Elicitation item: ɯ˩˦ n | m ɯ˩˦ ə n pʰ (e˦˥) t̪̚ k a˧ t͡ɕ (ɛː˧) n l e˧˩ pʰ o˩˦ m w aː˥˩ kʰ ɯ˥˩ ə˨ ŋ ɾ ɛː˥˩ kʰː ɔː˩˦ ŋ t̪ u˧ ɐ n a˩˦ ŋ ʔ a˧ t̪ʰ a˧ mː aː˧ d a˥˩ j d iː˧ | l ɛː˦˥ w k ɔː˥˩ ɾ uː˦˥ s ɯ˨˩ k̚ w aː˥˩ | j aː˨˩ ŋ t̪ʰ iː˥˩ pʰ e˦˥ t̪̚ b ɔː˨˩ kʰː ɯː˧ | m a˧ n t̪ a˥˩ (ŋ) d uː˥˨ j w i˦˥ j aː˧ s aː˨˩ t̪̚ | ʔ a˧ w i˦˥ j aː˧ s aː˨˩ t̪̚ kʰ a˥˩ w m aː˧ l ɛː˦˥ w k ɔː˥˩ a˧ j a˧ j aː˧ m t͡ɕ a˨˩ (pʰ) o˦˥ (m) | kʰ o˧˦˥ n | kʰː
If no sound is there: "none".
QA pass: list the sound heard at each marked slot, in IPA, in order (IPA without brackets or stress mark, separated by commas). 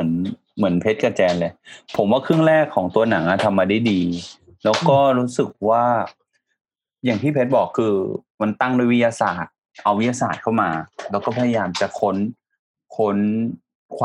e˦˥, ɛː˧, ŋ, kʰ, n